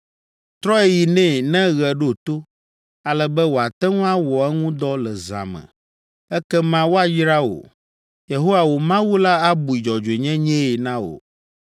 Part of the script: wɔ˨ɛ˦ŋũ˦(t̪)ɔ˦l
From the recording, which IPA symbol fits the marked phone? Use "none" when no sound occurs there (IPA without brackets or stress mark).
d̪